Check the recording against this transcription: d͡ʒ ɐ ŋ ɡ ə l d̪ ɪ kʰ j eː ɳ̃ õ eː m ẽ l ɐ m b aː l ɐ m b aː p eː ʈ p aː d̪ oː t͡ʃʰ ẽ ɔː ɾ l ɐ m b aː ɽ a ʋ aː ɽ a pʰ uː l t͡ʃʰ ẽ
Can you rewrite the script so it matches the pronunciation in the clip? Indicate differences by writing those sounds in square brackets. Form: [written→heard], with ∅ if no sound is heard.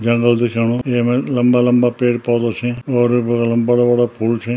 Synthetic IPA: d͡ʒ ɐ ŋ ɡ ə l d̪ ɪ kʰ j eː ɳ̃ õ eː m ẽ l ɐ m b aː l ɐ m b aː p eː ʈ p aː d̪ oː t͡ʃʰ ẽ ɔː ɾ l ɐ m b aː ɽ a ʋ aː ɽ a pʰ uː l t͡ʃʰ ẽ